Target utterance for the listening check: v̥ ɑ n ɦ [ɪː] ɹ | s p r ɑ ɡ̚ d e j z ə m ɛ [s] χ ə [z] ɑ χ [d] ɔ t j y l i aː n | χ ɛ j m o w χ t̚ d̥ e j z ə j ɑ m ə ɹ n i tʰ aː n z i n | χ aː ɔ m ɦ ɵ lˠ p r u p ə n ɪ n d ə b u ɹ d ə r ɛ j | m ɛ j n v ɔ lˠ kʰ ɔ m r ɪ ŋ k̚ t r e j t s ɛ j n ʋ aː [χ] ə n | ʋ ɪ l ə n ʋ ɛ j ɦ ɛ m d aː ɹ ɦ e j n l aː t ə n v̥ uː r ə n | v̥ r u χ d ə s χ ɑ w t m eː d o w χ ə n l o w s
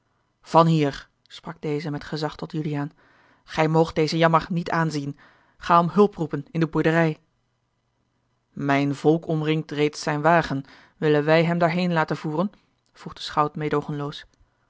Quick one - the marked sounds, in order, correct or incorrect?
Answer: incorrect: iː, incorrect: t, correct, incorrect: t, correct

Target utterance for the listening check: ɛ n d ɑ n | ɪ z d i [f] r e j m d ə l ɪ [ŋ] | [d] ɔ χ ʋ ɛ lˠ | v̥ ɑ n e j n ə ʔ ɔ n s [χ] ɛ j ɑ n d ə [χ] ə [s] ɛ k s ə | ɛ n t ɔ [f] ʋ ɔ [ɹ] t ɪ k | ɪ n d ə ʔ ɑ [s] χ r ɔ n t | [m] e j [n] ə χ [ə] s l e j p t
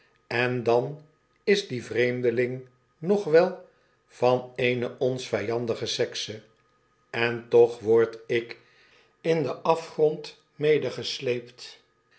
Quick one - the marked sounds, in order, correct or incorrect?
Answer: incorrect: v, correct, incorrect: n, incorrect: f, correct, correct, incorrect: χ, correct, incorrect: f, correct, incorrect: d, correct

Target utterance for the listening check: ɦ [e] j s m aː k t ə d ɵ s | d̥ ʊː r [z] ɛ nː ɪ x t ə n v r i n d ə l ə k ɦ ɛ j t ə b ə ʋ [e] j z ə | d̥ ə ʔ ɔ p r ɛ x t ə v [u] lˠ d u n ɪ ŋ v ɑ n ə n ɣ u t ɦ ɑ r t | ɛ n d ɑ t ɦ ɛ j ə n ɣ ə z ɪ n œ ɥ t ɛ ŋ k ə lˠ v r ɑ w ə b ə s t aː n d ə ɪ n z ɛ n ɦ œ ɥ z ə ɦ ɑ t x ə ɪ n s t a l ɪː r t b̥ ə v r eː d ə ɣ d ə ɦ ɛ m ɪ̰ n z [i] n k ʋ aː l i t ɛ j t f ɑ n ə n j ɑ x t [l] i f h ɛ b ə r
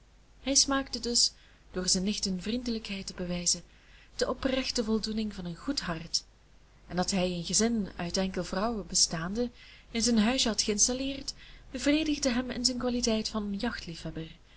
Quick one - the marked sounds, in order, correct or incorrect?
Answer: incorrect: ɛ, correct, incorrect: ɛ, incorrect: ɔ, incorrect: ɛ, correct

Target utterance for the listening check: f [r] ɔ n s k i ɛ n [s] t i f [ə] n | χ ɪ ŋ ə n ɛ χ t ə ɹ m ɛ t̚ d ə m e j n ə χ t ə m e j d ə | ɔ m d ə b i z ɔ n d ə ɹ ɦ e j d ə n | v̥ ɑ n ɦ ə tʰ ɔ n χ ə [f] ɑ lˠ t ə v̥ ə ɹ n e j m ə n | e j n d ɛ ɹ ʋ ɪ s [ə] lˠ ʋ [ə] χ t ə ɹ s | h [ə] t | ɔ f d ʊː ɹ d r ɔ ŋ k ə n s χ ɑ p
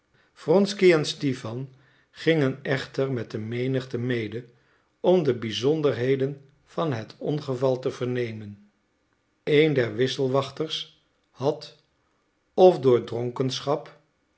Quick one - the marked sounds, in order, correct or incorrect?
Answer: correct, correct, incorrect: ɑ, incorrect: v, correct, incorrect: ɑ, incorrect: ɑ

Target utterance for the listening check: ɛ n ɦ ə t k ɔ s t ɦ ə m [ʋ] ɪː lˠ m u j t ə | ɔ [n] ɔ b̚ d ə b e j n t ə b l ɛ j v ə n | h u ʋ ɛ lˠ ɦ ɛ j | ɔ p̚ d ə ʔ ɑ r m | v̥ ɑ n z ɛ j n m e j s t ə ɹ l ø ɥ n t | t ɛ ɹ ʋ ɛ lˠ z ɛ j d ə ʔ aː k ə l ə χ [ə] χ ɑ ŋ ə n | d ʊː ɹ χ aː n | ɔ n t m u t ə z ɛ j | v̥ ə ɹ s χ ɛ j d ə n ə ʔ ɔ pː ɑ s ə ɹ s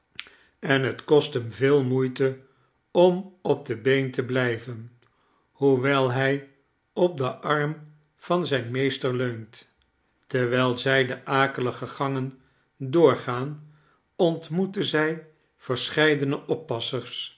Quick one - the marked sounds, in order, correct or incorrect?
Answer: incorrect: v, incorrect: m, correct

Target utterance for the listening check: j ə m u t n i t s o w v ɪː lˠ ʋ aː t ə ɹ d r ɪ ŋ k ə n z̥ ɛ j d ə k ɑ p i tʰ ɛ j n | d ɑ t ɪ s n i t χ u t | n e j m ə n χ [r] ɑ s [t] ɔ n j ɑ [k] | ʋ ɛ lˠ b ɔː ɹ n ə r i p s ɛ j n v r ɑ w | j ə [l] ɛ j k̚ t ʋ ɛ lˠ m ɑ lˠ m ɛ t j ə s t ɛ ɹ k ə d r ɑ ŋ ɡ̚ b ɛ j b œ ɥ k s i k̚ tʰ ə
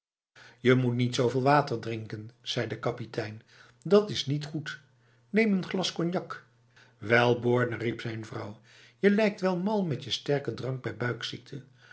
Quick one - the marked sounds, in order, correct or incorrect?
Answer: incorrect: l, incorrect: k, correct, correct

